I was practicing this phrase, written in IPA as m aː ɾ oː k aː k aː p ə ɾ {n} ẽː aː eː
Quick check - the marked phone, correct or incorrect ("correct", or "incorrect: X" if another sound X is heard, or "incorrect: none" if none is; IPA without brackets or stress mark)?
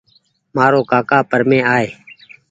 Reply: incorrect: m